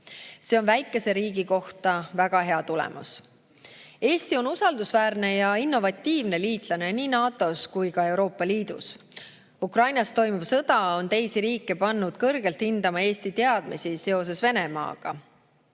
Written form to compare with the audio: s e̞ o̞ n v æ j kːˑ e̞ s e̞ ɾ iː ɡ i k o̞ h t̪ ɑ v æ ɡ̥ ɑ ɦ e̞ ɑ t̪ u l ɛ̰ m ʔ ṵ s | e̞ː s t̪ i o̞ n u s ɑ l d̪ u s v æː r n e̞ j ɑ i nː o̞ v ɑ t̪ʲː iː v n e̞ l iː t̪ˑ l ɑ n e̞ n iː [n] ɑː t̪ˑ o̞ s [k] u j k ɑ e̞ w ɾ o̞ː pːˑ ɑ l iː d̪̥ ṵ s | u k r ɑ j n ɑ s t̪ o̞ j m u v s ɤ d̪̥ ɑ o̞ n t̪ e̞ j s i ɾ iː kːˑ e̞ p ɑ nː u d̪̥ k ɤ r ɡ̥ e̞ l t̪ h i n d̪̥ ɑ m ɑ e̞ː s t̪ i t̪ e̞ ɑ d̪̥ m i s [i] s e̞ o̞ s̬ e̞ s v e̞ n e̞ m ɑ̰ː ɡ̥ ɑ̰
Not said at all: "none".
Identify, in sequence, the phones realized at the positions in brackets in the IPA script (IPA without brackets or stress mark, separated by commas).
n, k, i